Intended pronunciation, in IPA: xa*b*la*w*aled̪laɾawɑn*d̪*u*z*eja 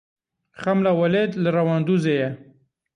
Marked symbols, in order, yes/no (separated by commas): no, yes, yes, yes